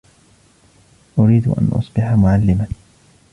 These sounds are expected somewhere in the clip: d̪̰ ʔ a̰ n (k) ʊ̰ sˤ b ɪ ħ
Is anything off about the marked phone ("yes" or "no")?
yes